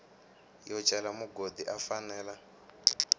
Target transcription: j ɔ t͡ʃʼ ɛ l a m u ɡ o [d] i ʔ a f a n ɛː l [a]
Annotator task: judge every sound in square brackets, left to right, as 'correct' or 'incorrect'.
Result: correct, correct

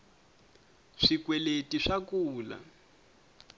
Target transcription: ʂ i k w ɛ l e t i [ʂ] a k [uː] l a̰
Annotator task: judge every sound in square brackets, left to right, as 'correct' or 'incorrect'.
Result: correct, correct

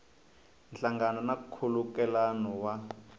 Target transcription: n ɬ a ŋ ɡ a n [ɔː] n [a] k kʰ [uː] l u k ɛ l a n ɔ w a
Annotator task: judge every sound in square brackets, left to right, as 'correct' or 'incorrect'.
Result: incorrect, correct, incorrect

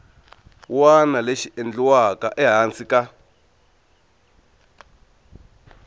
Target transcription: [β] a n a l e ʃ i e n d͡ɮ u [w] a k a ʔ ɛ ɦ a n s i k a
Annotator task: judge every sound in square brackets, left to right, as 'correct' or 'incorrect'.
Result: incorrect, correct

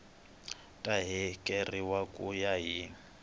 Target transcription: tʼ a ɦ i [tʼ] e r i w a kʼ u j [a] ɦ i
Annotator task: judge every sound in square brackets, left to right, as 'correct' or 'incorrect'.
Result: incorrect, correct

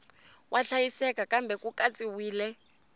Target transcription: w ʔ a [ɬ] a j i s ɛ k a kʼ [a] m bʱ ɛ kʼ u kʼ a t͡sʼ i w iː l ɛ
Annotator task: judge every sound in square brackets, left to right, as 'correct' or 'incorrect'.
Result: correct, correct

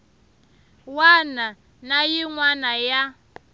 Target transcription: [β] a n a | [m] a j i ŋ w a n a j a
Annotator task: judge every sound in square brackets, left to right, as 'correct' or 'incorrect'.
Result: incorrect, incorrect

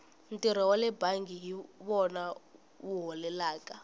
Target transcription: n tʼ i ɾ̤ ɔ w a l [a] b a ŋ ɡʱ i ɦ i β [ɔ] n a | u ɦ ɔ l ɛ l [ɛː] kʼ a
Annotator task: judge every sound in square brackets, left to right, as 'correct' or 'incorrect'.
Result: incorrect, correct, incorrect

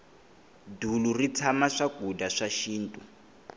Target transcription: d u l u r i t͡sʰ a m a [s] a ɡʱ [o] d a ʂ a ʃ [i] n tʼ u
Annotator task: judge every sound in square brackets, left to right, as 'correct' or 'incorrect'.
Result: incorrect, incorrect, incorrect

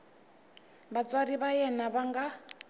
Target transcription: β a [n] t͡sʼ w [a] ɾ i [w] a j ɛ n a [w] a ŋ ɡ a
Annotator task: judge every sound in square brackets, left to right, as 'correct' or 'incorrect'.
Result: incorrect, correct, incorrect, incorrect

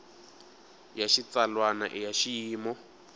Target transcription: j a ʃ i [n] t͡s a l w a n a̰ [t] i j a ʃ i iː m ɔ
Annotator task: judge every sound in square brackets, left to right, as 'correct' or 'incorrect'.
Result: incorrect, incorrect

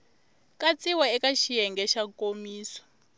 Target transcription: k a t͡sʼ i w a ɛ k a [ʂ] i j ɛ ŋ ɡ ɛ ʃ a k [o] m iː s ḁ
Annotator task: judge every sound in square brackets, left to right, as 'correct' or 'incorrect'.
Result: incorrect, correct

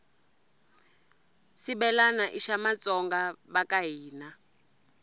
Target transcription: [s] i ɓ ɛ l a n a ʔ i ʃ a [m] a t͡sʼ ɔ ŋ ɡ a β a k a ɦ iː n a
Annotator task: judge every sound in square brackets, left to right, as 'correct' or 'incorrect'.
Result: correct, correct

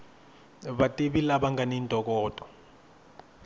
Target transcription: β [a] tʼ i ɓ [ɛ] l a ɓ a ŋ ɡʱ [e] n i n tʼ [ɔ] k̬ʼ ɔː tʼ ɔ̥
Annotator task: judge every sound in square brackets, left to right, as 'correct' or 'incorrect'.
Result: correct, incorrect, incorrect, correct

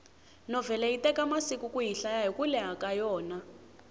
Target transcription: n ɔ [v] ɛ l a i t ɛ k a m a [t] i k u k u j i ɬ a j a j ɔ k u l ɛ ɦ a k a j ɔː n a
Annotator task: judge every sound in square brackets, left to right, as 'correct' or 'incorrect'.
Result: correct, incorrect

